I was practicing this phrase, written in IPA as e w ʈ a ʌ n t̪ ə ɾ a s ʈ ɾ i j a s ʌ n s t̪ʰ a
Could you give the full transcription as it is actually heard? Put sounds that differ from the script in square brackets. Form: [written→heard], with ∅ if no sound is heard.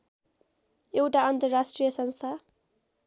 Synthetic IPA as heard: e w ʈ a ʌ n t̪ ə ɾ a s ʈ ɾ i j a s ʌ n s t̪ʰ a